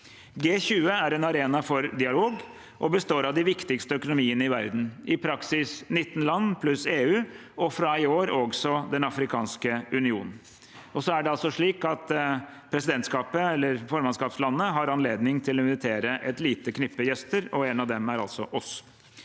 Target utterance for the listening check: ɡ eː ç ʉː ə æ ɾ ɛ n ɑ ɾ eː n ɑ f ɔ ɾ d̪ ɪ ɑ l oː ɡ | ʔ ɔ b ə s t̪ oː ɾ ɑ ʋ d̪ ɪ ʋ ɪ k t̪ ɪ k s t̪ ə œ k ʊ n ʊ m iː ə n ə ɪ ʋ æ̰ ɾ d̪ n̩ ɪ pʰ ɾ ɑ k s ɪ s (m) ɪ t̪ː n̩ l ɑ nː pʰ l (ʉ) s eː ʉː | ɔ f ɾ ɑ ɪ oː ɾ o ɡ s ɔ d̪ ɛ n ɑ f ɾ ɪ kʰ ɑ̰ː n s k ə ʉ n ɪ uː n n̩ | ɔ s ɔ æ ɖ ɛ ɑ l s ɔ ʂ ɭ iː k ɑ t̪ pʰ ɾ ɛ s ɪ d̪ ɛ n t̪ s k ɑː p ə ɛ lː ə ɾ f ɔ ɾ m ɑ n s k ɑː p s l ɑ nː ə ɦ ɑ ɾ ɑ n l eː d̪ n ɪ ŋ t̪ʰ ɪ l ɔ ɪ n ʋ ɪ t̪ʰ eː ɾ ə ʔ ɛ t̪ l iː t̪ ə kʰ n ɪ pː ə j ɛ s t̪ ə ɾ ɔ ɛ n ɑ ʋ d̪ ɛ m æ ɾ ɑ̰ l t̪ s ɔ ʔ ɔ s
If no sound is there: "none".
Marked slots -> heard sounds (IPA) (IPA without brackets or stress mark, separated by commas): n, ʉ